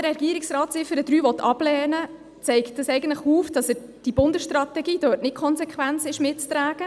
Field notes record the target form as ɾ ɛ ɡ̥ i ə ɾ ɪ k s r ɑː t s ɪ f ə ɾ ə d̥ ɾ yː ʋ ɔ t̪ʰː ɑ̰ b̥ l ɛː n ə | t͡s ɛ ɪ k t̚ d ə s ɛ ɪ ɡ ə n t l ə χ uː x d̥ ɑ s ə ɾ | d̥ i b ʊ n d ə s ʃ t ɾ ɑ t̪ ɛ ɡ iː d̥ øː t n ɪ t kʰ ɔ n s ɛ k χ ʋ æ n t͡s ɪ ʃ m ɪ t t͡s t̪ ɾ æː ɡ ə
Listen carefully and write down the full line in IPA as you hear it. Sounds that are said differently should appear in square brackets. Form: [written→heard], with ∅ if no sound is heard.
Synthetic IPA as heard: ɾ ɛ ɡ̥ i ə ɾ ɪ k s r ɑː t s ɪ f ə ɾ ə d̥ ɾ yː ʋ ɔ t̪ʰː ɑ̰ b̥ l ɛː n ə | t͡s ɛ ɪ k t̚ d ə s ɛ ɪ ɡ ə n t l ə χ uː [x→f] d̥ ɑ s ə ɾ | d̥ i b ʊ n d ə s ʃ t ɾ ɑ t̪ ɛ ɡ iː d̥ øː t n ɪ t kʰ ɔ n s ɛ k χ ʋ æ n t͡s ɪ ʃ m ɪ t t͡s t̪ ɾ æː ɡ ə